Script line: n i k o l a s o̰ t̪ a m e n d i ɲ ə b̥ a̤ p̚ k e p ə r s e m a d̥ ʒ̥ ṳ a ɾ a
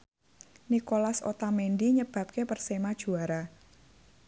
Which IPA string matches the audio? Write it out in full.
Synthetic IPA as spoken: n i k o l a s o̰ t̪ a m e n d i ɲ ə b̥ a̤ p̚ k e p ə r s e m a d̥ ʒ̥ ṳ a ɾ a